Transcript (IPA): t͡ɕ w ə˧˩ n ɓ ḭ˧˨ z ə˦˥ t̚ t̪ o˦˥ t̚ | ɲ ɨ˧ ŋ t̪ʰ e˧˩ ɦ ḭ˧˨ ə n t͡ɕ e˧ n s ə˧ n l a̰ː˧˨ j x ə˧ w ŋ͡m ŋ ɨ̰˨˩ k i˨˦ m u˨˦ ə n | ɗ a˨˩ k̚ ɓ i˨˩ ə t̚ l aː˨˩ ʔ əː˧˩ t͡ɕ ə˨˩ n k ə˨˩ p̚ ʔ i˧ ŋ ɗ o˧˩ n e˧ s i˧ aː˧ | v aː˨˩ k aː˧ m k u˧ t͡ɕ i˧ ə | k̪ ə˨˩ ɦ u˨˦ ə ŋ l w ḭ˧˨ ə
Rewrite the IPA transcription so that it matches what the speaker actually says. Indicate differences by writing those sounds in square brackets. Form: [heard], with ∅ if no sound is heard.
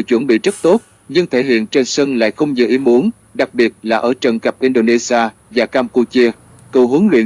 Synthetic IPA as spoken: t͡ɕ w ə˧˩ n ɓ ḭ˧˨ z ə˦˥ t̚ t̪ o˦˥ t̚ | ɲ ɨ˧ ŋ t̪ʰ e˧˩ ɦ ḭ˧˨ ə n t͡ɕ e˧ n s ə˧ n l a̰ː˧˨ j x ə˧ w ŋ͡m [ɲ] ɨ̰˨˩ [ʔ] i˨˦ m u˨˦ ə n | ɗ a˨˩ k̚ ɓ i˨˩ ə t̚ l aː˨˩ ʔ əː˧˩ t͡ɕ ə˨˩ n k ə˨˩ p̚ ʔ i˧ [n] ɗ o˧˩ n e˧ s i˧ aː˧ | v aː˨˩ k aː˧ m k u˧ t͡ɕ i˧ ə | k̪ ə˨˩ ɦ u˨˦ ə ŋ l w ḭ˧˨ ə